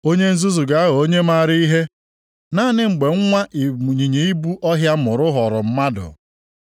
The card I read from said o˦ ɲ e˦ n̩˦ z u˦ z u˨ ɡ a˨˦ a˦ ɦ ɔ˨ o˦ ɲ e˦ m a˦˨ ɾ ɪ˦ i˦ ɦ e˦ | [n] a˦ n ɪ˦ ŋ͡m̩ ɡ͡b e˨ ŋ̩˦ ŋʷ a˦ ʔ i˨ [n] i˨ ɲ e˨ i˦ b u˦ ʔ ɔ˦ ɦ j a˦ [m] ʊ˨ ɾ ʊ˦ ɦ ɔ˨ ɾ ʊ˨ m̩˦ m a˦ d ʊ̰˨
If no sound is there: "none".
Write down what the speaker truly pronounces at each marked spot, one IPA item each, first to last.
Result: n, ɲ, m

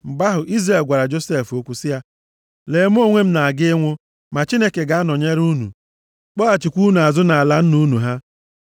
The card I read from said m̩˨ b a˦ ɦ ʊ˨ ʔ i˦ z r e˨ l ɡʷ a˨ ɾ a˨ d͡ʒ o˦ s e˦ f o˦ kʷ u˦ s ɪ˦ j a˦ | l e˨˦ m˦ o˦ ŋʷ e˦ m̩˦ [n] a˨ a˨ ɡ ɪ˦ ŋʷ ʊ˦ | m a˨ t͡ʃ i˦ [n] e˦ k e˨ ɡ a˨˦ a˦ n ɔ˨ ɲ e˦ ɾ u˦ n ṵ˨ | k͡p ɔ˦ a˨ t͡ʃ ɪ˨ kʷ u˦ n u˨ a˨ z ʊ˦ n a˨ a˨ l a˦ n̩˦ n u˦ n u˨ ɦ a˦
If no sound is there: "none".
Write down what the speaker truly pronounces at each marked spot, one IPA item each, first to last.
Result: n, n

